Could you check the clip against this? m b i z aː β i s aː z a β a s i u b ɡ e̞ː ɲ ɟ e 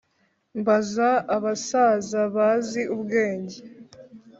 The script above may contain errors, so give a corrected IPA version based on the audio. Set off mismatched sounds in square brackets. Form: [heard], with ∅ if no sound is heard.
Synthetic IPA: m b [a] z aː β [a] s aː z a β a [z] i u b ɡ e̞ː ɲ ɟ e